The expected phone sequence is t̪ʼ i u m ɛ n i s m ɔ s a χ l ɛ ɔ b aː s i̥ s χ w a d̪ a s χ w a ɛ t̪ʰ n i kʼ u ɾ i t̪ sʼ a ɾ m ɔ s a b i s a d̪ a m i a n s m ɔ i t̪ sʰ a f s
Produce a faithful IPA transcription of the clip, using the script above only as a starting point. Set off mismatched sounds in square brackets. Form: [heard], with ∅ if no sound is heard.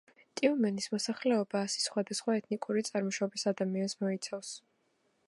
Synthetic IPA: t̪ʼ i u m ɛ n i s m ɔ s a χ l ɛ ɔ b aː s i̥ s χ w a d̪ a s χ w a ɛ t̪ʰ n i kʼ u ɾ i t̪ sʼ a ɾ m ɔ [ʃ] a b i s a d̪ a m i a n s m ɔ i t̪ sʰ a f s